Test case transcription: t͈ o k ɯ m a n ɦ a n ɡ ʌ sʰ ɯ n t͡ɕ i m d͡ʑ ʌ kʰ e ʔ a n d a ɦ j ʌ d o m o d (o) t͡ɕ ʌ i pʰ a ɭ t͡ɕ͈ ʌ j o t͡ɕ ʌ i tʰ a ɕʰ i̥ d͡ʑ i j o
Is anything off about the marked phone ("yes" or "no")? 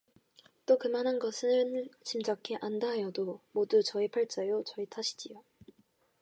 yes